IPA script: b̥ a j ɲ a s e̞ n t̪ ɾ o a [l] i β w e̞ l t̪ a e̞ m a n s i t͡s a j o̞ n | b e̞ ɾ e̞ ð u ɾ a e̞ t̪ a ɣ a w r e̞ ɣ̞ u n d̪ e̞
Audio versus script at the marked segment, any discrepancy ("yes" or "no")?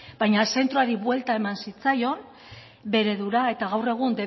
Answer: yes